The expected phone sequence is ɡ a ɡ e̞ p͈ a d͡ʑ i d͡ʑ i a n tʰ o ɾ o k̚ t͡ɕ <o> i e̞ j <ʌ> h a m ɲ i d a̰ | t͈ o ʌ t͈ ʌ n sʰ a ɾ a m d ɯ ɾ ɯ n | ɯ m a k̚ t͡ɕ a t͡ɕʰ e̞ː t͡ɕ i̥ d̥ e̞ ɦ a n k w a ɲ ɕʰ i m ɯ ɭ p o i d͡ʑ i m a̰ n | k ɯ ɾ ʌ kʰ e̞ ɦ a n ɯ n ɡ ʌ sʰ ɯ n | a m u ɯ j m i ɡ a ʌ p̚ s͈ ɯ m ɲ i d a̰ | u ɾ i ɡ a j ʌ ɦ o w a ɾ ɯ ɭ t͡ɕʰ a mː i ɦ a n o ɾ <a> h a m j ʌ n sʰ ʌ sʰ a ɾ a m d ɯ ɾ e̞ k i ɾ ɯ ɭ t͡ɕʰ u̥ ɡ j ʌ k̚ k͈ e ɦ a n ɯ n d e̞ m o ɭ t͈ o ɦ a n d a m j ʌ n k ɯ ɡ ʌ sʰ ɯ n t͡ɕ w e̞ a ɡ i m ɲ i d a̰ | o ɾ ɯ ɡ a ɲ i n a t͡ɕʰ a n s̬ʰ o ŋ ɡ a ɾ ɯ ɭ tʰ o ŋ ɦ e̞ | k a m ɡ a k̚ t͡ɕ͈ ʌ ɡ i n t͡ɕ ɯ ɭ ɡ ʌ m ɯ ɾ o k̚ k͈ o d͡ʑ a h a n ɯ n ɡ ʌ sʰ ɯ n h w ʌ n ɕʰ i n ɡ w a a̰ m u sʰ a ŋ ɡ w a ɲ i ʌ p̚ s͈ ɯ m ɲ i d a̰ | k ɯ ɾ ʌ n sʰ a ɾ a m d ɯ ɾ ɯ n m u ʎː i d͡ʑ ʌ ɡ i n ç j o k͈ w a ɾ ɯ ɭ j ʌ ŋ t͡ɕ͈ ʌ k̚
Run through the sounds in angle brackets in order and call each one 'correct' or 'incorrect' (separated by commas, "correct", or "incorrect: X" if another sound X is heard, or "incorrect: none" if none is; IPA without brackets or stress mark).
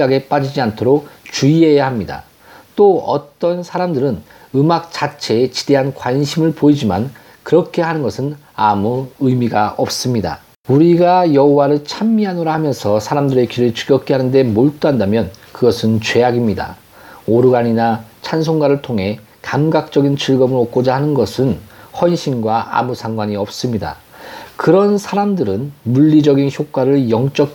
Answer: incorrect: u, incorrect: a, correct